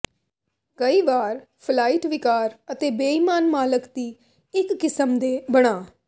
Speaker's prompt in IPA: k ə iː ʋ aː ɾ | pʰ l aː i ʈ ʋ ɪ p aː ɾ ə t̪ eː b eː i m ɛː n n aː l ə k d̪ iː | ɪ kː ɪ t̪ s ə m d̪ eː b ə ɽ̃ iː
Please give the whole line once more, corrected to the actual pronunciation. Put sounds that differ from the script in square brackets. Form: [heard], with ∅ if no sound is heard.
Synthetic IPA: k ə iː ʋ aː ɾ | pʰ l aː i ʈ ʋ ɪ [k] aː ɾ ə t̪ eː b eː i m [aː] n [m] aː l ə k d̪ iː | ɪ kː ɪ [∅] s ə m d̪ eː b ə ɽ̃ [aː]